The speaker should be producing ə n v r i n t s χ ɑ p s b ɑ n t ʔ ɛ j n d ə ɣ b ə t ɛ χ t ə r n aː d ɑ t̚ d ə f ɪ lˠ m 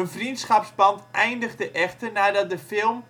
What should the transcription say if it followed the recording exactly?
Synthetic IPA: ə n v r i n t s χ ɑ p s b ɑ n t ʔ ɛ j n d ə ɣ d ə ʔ ɛ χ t ə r n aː d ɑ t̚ d ə f ɪ lˠ m

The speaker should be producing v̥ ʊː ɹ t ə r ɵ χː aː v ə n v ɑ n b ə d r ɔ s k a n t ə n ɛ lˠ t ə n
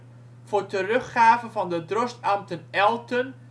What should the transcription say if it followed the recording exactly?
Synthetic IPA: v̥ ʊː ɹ t ə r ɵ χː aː v ə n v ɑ n d ə d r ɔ s t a m t ə n ɛ lˠ t ə n

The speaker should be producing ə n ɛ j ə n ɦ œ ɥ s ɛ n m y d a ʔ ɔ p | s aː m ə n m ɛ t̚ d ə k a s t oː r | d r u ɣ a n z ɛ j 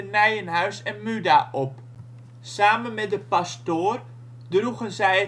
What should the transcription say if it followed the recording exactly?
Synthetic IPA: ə n ɛ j ə n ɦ œ ɥ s ɛ n m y d a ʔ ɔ p | s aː m ə n m ɛ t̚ d ə p a s t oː r | d r u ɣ ə n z ɛ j

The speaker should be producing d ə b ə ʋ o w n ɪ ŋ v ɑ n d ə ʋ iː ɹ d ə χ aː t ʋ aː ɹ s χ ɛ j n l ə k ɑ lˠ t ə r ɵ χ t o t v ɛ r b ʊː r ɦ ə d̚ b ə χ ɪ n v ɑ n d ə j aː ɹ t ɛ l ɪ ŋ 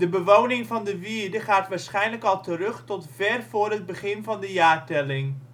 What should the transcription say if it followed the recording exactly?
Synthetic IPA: d ə b ə ʋ o w n ɪ ŋ v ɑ n d ə ʋ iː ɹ d ə χ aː t ʋ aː ɹ s χ ɛ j n l ə k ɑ lˠ t ə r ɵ χ t ɔ t v ɛ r v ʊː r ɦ ə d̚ b ə χ ɪ n v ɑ n d ə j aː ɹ t ɛ l ɪ ŋ

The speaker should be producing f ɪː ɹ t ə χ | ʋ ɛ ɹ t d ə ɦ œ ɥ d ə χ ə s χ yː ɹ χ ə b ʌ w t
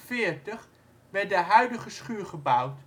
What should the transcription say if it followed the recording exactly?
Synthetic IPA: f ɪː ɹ t ə χ | ʋ ɛ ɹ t d ə ɦ œ ɥ d ə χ ə s χ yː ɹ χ ə b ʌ w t

